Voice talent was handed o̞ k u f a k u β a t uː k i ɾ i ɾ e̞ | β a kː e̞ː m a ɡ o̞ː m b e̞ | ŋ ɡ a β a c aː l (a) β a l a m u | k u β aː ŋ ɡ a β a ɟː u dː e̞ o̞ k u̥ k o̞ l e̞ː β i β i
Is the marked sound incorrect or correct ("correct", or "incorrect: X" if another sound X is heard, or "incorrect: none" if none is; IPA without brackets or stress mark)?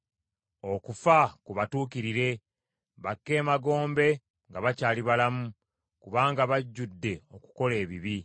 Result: incorrect: i